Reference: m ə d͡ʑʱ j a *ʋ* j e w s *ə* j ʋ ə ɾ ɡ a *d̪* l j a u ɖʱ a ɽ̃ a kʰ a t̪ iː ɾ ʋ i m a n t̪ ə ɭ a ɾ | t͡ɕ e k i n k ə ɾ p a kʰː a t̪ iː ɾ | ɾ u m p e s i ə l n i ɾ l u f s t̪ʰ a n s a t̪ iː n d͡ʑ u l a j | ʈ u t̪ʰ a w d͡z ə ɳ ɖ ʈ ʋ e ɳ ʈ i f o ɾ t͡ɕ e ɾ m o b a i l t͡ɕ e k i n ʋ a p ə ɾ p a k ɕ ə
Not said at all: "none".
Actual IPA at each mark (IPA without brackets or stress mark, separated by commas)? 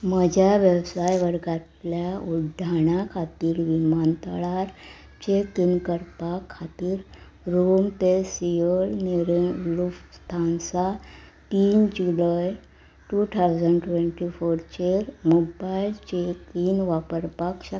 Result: ʋ, a, t̪